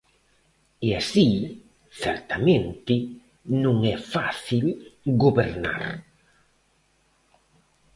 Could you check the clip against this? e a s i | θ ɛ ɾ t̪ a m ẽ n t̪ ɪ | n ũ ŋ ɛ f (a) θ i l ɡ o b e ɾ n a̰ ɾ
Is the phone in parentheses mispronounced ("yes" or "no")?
no